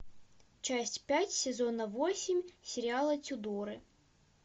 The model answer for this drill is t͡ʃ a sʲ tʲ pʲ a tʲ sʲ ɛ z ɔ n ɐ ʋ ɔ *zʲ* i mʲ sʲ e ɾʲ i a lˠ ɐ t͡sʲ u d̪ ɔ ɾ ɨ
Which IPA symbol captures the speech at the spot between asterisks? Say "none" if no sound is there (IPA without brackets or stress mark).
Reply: sʲ